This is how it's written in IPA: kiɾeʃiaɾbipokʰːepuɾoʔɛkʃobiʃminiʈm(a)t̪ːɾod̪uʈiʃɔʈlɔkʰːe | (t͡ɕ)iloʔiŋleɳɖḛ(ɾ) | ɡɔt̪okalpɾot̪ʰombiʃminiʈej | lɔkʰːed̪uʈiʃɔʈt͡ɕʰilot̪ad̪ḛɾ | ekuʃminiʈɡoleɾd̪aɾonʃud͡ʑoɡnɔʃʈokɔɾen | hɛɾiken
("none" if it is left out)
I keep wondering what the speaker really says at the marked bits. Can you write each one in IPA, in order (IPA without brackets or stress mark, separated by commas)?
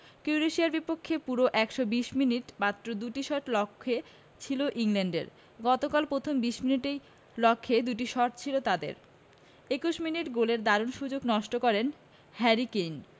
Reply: a, t͡ɕʰ, ɾ